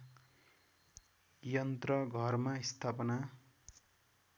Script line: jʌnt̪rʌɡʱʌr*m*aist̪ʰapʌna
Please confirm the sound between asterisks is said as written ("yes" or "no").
yes